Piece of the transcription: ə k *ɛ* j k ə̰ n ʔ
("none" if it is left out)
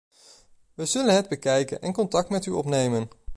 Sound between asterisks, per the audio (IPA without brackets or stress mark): ɛ